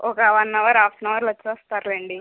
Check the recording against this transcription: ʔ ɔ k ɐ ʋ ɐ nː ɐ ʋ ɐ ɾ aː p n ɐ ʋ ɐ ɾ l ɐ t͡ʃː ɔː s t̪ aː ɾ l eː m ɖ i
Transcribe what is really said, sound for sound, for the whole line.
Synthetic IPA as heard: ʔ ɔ k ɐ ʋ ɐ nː ɐ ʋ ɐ ɾ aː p n ɐ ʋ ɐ ɾ l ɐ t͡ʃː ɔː s t̪ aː ɾ l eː ɳ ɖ i